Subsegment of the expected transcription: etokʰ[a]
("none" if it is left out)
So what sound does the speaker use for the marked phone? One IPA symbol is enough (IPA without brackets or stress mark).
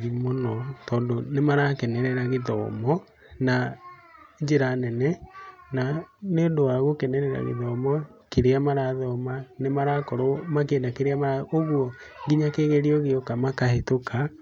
a